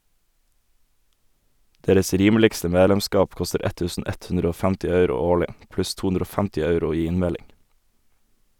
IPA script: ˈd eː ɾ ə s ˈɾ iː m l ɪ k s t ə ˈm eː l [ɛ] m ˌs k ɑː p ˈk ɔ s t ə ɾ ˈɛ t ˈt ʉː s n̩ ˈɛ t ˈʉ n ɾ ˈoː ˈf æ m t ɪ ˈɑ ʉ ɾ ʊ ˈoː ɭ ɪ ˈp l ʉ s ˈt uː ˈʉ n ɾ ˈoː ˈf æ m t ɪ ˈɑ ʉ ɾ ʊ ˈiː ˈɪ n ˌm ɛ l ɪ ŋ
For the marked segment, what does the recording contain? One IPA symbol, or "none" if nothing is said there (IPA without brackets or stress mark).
ɛ